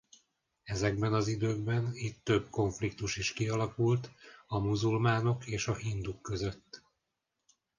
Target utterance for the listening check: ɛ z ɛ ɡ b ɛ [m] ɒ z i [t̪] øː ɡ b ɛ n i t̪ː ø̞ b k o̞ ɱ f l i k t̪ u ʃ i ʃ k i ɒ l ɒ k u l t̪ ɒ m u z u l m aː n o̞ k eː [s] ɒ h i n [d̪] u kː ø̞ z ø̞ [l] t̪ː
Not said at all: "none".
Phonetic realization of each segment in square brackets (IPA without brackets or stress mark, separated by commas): n, d̪, ʃ, d̪, none